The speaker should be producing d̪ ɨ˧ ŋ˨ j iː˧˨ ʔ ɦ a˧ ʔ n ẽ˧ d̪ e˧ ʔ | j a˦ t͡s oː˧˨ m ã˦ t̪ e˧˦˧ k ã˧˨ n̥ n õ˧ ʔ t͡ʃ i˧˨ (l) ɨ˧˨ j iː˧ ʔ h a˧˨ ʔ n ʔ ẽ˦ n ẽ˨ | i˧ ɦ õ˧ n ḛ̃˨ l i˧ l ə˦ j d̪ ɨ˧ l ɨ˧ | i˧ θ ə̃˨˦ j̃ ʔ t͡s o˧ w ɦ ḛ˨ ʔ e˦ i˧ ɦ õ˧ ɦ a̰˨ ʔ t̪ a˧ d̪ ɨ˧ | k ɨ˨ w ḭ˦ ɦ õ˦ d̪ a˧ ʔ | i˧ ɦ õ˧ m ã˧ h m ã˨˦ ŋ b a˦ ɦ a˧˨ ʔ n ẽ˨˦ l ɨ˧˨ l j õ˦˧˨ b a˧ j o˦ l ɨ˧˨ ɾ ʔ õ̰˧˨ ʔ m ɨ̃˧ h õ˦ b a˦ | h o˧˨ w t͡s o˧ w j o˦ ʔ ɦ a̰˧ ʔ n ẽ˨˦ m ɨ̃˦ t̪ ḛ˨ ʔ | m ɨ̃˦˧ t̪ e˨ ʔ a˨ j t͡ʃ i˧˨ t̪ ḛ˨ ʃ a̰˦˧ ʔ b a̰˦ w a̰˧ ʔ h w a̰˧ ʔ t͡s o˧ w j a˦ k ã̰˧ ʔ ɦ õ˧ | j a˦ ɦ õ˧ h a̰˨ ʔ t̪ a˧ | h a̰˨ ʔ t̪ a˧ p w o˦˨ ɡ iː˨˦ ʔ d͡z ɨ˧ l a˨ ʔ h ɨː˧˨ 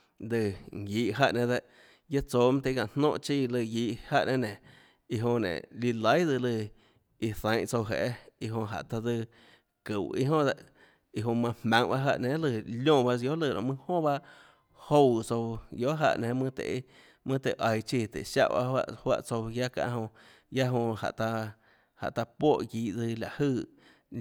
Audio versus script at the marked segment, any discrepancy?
no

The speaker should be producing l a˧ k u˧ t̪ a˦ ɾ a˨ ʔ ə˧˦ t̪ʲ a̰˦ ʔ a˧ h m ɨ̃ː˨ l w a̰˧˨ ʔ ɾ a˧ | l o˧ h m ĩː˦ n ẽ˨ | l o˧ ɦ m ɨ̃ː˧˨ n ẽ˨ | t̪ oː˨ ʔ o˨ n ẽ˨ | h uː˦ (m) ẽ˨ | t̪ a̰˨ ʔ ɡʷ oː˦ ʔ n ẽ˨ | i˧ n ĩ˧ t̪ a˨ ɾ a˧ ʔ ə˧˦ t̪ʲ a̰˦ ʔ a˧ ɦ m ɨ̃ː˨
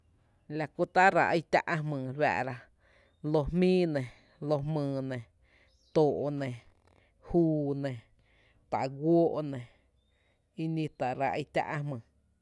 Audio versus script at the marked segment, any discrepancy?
yes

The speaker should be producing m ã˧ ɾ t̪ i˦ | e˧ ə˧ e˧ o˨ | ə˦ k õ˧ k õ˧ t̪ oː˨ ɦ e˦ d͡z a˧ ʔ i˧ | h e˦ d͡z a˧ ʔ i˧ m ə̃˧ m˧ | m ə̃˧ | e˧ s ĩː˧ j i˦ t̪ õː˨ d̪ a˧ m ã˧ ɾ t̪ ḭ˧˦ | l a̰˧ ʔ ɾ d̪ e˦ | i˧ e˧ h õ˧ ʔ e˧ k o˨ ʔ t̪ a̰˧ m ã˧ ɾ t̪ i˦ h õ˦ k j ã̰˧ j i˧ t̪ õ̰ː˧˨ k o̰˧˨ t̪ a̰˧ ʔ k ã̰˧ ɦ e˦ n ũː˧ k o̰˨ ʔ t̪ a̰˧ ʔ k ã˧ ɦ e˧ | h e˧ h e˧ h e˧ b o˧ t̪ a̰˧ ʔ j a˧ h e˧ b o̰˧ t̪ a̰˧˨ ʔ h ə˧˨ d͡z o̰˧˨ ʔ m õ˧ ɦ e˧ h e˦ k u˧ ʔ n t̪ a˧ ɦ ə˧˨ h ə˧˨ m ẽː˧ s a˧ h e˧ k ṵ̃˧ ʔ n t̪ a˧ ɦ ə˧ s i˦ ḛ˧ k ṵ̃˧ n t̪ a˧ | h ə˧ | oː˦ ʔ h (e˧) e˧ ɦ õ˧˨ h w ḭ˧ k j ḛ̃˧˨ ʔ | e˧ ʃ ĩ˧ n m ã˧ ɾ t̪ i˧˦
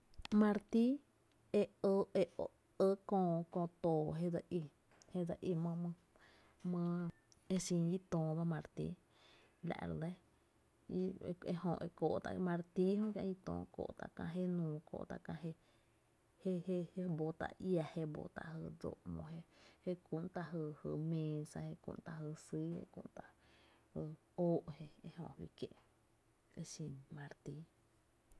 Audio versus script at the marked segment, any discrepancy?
no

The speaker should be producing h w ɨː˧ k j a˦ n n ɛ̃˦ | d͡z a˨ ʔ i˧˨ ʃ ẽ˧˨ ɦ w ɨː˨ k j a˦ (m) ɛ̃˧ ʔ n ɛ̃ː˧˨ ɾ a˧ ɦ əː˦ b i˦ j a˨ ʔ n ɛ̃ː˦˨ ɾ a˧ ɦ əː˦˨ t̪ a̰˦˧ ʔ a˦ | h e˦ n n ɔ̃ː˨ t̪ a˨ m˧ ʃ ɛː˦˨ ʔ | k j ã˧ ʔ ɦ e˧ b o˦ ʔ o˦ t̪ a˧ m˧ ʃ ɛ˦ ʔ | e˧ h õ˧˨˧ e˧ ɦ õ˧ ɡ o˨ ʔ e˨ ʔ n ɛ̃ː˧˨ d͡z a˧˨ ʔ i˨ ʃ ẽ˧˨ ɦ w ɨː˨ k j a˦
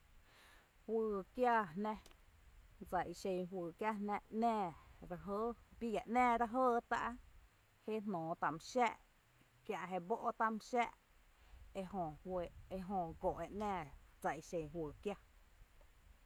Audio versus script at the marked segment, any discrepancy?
yes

